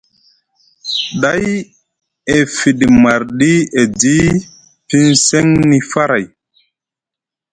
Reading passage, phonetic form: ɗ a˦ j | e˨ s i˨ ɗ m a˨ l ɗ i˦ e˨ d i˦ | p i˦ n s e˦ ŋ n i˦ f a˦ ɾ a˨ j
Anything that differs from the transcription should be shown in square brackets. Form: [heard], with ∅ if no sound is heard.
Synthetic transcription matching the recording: ɗ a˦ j | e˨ [f] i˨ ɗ m a˨ [ɾ] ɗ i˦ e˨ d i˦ | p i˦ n s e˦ ŋ n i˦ f a˦ ɾ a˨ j